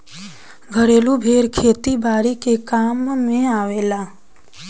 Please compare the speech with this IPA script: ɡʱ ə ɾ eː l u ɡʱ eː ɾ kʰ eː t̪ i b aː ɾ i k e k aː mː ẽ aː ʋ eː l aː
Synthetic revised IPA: ɡʱ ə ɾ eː l u bʱ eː ɾ kʰ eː t̪ i b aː ɾ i k e k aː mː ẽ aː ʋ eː l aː